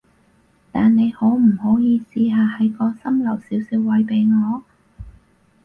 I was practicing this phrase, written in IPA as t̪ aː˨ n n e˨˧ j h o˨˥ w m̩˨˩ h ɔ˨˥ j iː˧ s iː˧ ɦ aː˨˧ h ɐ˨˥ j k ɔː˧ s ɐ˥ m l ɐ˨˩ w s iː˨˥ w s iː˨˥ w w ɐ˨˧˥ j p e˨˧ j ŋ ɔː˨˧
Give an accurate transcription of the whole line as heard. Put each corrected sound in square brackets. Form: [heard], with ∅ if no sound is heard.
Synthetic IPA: t̪ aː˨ n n e˨˧ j h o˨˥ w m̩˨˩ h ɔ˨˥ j iː˧ s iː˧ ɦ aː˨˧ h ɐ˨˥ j k ɔː˧ s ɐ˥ m l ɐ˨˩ w s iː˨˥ w s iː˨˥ w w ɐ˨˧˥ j p e˨˧ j ŋ ɔː˨˧